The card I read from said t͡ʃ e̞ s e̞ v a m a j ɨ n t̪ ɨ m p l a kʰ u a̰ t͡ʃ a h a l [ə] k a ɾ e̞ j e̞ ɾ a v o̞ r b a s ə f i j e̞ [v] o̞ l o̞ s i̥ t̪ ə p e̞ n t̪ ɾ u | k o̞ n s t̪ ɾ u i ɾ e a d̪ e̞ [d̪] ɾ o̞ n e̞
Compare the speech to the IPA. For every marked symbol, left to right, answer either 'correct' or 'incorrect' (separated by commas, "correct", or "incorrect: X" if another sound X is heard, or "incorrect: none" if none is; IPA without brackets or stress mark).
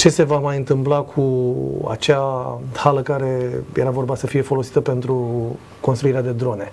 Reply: correct, incorrect: f, correct